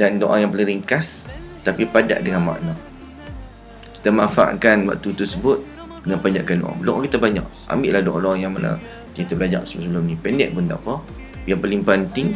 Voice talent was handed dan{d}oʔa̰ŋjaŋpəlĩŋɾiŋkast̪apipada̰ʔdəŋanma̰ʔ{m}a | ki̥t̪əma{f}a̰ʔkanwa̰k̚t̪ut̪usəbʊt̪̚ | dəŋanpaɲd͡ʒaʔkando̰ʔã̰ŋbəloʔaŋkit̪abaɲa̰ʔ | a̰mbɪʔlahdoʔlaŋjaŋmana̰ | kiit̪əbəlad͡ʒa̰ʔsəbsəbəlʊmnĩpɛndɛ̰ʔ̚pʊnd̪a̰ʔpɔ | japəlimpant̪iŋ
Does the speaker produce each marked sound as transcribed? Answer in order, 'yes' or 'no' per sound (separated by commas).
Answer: yes, no, yes